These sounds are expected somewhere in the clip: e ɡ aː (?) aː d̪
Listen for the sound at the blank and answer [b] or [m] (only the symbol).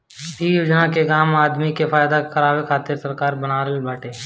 m